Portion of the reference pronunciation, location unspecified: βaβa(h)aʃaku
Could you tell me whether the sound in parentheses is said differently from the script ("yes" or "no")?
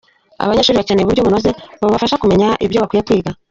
yes